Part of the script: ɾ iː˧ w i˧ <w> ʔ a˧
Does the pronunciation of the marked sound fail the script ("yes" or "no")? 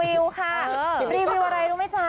no